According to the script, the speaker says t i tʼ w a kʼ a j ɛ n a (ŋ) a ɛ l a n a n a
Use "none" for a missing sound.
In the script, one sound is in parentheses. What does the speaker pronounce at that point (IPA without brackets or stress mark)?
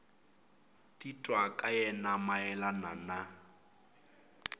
m